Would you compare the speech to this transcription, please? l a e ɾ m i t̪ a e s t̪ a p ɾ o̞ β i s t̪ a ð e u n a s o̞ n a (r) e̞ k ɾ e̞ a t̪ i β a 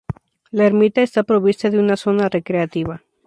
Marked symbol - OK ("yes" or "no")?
yes